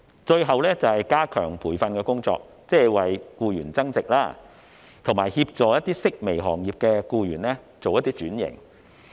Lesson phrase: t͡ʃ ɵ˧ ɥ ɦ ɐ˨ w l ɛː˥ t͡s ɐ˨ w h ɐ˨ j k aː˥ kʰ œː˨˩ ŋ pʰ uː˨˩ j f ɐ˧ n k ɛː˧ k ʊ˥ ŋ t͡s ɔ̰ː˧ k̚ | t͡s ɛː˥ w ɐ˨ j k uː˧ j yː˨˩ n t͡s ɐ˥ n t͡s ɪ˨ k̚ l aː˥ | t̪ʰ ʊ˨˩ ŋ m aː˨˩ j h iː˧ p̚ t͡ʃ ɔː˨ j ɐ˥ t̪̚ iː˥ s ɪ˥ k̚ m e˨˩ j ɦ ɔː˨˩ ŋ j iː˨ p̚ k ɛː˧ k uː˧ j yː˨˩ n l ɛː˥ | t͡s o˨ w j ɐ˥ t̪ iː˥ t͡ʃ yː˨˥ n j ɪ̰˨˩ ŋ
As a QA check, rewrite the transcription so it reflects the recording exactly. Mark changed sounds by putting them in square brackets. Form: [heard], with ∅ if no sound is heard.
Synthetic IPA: t͡ʃ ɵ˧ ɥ ɦ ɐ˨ w l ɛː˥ t͡s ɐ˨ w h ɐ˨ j k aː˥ kʰ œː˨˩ ŋ pʰ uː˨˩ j f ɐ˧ n k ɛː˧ k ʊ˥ ŋ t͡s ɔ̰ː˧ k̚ | t͡s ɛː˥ w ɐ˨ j k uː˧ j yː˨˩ n t͡s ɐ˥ [ŋ] t͡s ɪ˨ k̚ l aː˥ | t̪ʰ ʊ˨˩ ŋ m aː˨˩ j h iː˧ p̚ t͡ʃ ɔː˨ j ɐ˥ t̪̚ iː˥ s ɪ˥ k̚ m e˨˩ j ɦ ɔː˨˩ ŋ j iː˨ p̚ k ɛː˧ k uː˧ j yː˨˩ n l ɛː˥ | t͡s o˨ w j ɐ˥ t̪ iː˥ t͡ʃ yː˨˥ n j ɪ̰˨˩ ŋ

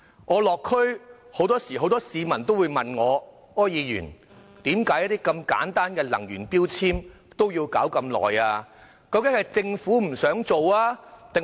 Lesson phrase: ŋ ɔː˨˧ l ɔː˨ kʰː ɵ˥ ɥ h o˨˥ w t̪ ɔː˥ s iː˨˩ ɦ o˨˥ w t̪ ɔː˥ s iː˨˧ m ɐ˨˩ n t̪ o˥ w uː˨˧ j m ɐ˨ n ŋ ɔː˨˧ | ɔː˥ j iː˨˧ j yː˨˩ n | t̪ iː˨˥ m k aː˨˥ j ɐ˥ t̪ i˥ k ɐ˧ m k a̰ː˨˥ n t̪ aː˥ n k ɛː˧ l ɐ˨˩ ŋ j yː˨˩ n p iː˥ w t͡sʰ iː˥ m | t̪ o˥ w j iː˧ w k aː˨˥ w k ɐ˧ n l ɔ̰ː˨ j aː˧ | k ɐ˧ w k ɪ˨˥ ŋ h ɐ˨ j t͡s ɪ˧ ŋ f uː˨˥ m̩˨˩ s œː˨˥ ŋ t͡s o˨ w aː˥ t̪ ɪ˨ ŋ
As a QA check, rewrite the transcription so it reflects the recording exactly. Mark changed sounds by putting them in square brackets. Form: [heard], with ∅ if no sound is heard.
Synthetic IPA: ŋ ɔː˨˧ l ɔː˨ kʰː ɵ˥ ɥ h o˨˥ w t̪ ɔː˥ s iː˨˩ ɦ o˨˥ w t̪ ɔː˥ s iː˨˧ m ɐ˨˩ n t̪ o˥ w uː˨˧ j m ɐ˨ n ŋ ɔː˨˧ | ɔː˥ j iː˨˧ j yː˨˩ n | t̪ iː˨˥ m k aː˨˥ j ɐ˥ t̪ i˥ k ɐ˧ m k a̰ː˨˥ n t̪ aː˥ n k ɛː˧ l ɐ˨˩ ŋ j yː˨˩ n p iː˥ w t͡sʰ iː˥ m | t̪ o˥ w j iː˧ w k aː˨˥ w k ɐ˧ [m] l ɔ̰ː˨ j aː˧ | k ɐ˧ w k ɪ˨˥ ŋ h ɐ˨ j t͡s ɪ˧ ŋ f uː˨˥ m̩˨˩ s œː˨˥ ŋ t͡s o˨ w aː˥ t̪ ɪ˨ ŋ

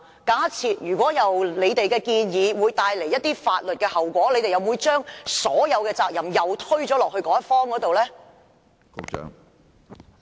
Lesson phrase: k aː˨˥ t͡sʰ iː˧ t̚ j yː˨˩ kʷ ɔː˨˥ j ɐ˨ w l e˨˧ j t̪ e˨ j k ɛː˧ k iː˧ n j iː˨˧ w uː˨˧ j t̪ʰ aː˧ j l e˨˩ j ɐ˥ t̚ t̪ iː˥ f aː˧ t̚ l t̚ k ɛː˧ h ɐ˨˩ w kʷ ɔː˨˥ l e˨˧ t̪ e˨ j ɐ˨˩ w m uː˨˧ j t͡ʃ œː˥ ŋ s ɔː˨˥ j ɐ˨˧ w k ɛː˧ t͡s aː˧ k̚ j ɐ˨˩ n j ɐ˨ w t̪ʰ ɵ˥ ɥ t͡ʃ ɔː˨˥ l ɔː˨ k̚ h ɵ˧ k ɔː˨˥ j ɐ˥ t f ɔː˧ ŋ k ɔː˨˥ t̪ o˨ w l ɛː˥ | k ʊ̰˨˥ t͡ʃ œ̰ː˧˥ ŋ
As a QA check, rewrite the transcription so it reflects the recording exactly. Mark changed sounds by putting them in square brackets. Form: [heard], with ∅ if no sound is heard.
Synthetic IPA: k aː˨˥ t͡sʰ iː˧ t̚ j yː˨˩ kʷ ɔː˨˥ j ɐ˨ w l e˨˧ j t̪ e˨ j k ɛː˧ k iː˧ n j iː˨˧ w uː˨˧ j [t̪] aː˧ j l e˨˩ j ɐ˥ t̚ t̪ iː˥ f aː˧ t̚ l t̚ k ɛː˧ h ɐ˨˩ w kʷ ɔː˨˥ l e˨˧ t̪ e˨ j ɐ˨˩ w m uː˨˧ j t͡ʃ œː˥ ŋ s ɔː˨˥ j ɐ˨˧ w k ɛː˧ t͡s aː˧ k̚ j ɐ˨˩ [m] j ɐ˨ w t̪ʰ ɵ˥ ɥ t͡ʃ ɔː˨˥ l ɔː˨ k̚ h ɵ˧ k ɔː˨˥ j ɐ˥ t f [ɔː˥] ŋ k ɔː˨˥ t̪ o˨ w l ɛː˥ | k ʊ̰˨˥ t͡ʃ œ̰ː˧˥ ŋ

